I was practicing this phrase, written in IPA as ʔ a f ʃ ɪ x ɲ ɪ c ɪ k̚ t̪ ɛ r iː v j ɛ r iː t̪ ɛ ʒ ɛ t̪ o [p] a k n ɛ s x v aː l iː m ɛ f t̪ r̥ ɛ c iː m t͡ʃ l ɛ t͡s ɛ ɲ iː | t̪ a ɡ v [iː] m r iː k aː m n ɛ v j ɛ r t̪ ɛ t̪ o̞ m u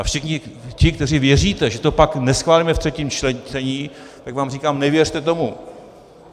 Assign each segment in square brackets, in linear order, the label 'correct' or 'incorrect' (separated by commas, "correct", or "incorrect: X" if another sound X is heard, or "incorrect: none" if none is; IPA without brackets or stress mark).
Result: correct, incorrect: aː